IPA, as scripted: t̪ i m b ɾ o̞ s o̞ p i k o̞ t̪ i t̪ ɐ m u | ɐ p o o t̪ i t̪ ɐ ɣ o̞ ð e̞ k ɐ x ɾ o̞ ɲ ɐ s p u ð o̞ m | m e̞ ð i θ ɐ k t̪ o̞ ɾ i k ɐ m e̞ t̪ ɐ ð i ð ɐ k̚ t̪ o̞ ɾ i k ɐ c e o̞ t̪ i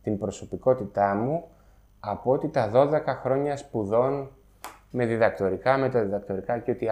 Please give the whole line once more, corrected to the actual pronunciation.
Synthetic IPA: t̪ i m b ɾ o̞ s o̞ p i k o̞ t̪ i t̪ ɐ m u | ɐ p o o t̪ i t̪ ɐ ð o̞ ð e̞ k ɐ x ɾ o̞ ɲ ɐ s p u ð o̞ n | m e̞ ð i ð ɐ k t̪ o̞ ɾ i k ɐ m e̞ t̪ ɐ ð i ð ɐ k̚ t̪ o̞ ɾ i k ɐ c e o̞ t̪ i